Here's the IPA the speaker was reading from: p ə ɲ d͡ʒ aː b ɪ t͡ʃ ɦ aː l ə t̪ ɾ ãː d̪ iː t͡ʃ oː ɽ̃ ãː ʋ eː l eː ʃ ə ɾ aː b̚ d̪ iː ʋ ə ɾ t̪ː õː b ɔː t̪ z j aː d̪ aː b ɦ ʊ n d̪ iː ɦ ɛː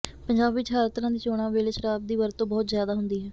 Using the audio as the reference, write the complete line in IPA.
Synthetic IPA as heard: p ə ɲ d͡ʒ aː b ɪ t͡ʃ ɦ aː ɾ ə t̪ ɾ ãː d̪ iː t͡ʃ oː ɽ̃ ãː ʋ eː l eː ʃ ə ɾ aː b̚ d̪ iː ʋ ə ɾ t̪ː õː b ɔː t̪ z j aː d̪ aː ɦ ʊ n d̪ iː ɦ ɛː